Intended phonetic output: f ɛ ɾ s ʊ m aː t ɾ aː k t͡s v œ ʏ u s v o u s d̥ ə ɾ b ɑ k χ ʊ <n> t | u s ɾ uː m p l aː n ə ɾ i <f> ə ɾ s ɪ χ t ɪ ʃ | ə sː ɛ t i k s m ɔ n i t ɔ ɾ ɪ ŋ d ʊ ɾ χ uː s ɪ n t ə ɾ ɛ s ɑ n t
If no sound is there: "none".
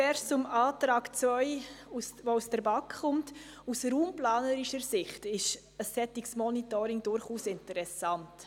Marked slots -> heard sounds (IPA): m, ʃ

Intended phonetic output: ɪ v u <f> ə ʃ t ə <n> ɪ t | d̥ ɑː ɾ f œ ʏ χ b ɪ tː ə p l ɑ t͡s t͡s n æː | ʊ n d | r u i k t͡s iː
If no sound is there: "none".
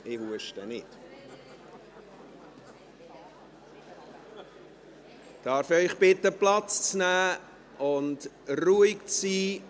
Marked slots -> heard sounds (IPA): none, n

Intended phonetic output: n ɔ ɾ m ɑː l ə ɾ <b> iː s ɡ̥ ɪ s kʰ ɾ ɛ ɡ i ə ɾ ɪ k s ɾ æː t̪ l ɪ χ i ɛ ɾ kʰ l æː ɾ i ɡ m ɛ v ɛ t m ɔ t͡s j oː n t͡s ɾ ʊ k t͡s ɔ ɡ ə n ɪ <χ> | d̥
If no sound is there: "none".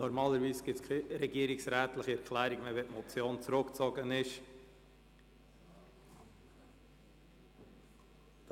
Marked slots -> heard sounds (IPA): v, ʃ

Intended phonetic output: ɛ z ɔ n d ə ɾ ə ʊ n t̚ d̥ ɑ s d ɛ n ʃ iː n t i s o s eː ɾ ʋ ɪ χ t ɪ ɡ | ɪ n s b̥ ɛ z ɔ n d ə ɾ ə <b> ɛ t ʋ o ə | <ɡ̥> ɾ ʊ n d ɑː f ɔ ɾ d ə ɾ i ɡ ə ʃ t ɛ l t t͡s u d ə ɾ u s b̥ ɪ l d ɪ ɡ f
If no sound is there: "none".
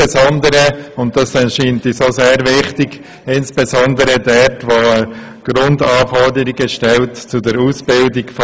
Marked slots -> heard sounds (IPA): d, ɡ̥

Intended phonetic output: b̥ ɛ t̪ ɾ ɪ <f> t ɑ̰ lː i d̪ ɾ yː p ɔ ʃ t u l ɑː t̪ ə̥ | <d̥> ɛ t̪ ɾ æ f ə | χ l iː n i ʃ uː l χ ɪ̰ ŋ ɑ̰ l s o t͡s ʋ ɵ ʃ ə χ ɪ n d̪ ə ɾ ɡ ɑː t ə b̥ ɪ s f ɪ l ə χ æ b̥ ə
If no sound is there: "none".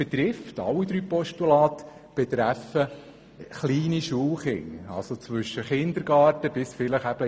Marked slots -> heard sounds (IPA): f, b̥

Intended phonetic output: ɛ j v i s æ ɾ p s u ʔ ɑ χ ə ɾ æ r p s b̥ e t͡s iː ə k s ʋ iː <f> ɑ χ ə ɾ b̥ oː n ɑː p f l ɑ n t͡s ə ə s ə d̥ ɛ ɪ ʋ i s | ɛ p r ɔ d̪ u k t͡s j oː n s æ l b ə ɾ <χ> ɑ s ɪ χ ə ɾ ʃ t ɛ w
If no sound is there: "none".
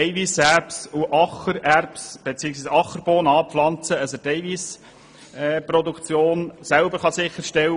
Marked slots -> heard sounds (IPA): s, χ

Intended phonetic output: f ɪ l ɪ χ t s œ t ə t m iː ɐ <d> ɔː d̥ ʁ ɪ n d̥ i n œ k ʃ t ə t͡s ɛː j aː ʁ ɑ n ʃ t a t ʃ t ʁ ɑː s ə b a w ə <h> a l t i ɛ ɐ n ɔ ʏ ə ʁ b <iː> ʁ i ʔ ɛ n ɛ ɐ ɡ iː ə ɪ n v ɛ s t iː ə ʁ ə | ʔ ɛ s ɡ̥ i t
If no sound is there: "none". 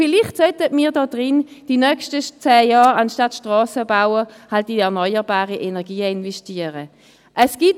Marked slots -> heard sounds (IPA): d, h, aː

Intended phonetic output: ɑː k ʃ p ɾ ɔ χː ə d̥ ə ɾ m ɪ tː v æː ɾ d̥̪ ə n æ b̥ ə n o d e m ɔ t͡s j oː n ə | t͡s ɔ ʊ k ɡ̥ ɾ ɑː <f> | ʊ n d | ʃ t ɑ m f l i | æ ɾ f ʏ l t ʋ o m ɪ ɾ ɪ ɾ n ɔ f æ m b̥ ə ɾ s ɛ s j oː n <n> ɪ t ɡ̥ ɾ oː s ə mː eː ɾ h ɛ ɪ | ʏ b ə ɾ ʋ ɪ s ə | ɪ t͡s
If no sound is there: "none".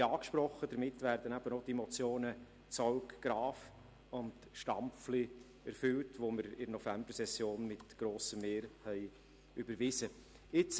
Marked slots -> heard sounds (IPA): f, m

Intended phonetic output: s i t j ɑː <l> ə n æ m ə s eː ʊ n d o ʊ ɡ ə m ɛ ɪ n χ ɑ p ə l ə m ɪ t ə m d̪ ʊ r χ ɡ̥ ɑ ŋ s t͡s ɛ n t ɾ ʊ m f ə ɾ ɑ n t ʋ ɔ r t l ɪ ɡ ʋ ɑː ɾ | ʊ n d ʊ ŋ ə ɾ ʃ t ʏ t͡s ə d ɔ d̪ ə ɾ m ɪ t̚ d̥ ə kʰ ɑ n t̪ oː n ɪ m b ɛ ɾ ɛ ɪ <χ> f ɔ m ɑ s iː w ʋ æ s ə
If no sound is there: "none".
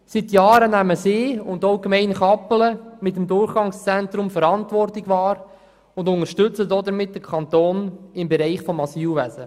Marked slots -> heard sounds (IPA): ɾ, χ

